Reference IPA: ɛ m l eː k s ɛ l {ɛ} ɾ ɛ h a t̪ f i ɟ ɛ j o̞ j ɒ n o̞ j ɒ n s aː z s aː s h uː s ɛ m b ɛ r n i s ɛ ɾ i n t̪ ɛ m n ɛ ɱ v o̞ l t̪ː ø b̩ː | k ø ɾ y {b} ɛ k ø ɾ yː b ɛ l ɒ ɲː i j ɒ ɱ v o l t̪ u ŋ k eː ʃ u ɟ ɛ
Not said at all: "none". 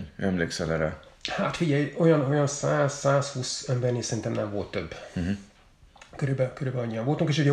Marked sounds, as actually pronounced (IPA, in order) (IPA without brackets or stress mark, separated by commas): ɛ, b